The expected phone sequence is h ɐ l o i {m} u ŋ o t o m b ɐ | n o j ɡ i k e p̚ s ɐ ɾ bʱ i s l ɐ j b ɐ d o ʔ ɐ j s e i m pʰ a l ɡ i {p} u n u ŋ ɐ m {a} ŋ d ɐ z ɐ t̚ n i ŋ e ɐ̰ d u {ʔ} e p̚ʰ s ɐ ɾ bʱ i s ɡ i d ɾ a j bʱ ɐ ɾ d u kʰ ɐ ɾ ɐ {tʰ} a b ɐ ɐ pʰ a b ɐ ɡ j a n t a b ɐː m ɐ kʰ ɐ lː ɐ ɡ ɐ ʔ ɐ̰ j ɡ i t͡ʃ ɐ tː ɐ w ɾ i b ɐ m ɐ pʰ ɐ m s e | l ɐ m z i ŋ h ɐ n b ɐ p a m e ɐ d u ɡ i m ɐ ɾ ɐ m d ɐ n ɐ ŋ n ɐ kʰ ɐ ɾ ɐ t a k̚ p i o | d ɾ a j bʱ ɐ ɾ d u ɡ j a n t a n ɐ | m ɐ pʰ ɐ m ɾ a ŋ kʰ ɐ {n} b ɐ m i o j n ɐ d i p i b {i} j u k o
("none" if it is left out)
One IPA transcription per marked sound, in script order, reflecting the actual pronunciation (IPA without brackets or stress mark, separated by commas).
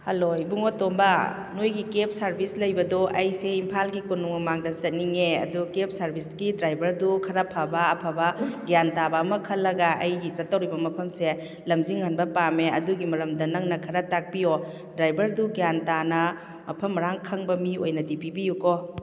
b, k, a, k, pʰ, ŋ, i